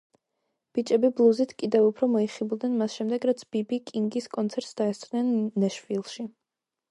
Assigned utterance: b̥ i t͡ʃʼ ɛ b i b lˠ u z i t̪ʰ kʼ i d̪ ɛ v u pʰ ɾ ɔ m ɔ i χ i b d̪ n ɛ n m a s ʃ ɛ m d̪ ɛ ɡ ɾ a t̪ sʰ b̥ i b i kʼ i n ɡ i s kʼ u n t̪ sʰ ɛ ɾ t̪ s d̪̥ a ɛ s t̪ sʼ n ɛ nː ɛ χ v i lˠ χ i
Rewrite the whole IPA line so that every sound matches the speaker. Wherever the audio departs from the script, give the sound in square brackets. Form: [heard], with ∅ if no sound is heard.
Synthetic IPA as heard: b̥ i t͡ʃʼ ɛ b i b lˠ u z i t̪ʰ kʼ i d̪ ɛ v u pʰ ɾ ɔ m ɔ i χ i b d̪ n ɛ n m a s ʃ ɛ m d̪ ɛ ɡ ɾ a t̪ sʰ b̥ i b i kʼ i [ŋ] ɡ i s kʼ [ɔ] n t̪ sʰ ɛ ɾ t̪ s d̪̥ a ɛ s t̪ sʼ n ɛ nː ɛ [ʃ] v i lˠ [ʃ] i

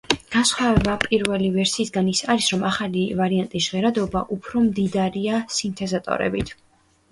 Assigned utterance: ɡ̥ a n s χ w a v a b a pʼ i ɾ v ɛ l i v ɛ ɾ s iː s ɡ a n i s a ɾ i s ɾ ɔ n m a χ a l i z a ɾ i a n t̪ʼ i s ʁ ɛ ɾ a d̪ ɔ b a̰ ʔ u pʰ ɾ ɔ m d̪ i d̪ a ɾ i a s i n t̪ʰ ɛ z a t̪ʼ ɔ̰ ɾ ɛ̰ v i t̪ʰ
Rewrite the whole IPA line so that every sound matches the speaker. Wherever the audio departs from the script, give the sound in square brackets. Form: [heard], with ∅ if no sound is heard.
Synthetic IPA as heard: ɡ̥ a n s χ w a v [ɛ] b a pʼ i ɾ v ɛ l i v ɛ ɾ s iː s ɡ a n i s a ɾ i s ɾ ɔ [∅] m a χ a l i [v] a ɾ i a n t̪ʼ i s ʁ ɛ ɾ a d̪ ɔ b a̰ ʔ u pʰ ɾ ɔ m d̪ i d̪ a ɾ i a s i n t̪ʰ ɛ z a t̪ʼ ɔ̰ ɾ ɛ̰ [b] i t̪ʰ

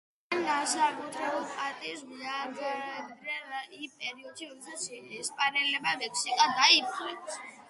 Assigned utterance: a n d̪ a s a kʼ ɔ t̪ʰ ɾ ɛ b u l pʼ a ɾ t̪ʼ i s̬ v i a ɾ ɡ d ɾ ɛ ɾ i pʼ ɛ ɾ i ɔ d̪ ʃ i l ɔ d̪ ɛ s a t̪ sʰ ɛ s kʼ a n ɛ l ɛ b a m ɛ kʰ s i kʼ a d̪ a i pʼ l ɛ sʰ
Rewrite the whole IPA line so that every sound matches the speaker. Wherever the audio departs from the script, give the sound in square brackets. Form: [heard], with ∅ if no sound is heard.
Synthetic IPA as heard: a n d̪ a s a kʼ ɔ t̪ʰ ɾ ɛ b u l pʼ a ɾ t̪ʼ i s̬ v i a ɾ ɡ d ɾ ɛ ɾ i pʼ ɛ ɾ i ɔ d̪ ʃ i [ɾ] ɔ d̪ ɛ s a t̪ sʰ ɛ s [pʼ] a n ɛ l ɛ b a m ɛ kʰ s i kʼ a d̪ a i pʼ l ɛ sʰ

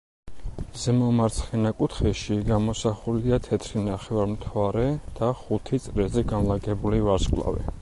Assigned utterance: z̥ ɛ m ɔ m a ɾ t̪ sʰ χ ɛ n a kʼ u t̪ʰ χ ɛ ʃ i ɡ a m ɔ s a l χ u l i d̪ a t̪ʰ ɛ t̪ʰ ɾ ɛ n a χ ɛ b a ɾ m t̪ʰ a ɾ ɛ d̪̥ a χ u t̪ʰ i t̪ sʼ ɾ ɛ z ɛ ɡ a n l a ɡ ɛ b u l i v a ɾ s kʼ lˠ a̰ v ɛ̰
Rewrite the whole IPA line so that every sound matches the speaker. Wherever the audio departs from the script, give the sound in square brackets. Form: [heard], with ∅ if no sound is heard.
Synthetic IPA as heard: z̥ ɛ m ɔ m a ɾ t̪ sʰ χ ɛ n a kʼ u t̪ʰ χ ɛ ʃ i ɡ a m ɔ s a [∅] χ u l i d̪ a t̪ʰ ɛ t̪ʰ ɾ [i] n a χ ɛ [v] a ɾ m t̪ʰ a ɾ ɛ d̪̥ a χ u t̪ʰ i t̪ sʼ ɾ ɛ z ɛ ɡ a n l a ɡ ɛ b u l i v a ɾ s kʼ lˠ a̰ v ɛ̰

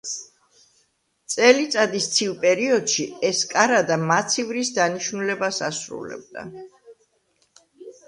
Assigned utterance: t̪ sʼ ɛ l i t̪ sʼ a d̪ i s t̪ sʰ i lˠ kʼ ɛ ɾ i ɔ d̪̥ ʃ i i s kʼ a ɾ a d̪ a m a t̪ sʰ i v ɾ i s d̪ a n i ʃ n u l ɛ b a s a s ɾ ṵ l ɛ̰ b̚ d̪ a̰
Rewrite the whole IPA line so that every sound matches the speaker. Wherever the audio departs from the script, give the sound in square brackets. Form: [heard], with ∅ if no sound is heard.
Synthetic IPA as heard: t̪ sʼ ɛ l i t̪ sʼ a d̪ i s t̪ sʰ i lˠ [pʼ] ɛ ɾ i ɔ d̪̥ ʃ i [ɛ] s kʼ a ɾ a d̪ a m a t̪ sʰ i v ɾ i s d̪ a n i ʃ n u l ɛ b a s a s ɾ ṵ l ɛ̰ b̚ d̪ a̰

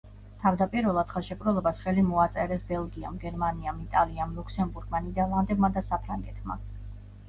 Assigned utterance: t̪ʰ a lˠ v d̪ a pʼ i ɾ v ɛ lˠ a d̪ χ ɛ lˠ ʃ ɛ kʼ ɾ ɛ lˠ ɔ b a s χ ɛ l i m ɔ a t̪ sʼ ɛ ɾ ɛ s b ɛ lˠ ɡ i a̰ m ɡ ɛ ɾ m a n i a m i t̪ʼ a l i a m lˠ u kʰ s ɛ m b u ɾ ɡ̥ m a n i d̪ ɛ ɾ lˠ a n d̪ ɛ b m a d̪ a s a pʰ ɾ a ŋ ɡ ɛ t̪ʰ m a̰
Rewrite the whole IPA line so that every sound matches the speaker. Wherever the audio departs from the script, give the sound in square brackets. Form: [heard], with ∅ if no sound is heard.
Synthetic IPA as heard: t̪ʰ a [∅] v d̪ a pʼ i ɾ v ɛ lˠ a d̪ χ ɛ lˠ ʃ ɛ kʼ ɾ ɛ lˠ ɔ b a s χ ɛ l i m ɔ a t̪ sʼ ɛ ɾ ɛ s b ɛ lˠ ɡ i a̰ m ɡ ɛ ɾ m a n i a m i t̪ʼ a l i a m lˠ u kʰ s ɛ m b u ɾ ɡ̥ m a n i d̪ ɛ ɾ lˠ a n d̪ ɛ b m a d̪ a s a pʰ ɾ a ŋ ɡ ɛ t̪ʰ m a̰

